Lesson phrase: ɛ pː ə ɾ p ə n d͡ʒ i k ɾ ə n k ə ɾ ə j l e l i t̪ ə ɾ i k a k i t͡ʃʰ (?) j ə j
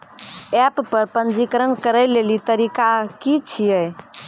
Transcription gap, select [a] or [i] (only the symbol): i